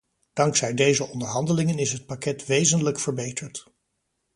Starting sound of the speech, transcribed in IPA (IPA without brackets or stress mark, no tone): d̥